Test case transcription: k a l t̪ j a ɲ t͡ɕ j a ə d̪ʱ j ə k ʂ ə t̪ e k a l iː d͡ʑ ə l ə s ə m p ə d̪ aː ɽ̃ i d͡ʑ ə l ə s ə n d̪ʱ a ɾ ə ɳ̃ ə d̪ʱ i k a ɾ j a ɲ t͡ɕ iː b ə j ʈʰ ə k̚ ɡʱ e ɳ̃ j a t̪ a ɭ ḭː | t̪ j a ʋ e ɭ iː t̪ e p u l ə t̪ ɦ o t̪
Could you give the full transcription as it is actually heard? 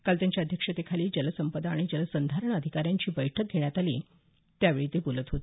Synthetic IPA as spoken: k a l t̪ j a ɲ t͡ɕ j a ə d̪ʱ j ə k ʂ ə t̪ e kʰ a l iː d͡ʑ ə l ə s ə m p ə d̪ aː ɽ̃ i d͡ʑ ə l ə s ə n d̪ʱ a ɾ ə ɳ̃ ə d̪ʱ i k a ɾ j a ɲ t͡ɕ iː b ə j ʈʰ ə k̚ ɡʱ e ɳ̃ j a t̪ a l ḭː | t̪ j a ʋ e ɭ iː t̪ e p u l ə t̪ ɦ o t̪

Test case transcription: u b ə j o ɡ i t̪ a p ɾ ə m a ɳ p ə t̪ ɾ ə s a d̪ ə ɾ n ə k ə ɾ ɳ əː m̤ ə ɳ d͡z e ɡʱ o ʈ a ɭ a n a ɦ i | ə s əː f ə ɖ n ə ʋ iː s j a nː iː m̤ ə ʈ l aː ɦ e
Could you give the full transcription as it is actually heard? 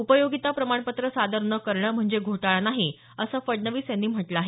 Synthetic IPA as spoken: u p ə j o ɡ i t̪ a p ɾ ə m a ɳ p ə t̪ ɾ ə s a d̪ ə ɾ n ə k ə ɾ ɳ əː m̤ ə ɳ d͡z e ɡʱ o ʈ a ɭ a n a ɦ i | ə s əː f ə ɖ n ə ʋ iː s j a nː iː m̤ ə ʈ l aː ɦ e

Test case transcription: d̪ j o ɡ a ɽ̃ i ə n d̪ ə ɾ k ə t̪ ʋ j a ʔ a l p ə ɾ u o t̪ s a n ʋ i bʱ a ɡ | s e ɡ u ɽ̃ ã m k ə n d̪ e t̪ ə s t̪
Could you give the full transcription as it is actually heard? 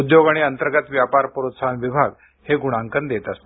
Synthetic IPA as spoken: d̪ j o ɡ a ɽ̃ i ə n t̪ ə ɾ ɡ ə t̪ ʋ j a p a ɾ p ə ɾ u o t̪ s a n ʋ i bʱ a ɡ | h e ɡ u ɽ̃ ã ŋ k ə n d̪ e t̪ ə s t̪

